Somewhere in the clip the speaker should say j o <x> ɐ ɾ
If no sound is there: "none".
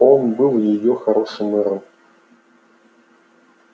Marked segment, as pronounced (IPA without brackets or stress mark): x